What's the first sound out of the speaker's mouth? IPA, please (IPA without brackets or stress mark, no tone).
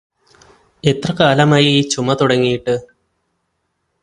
e̞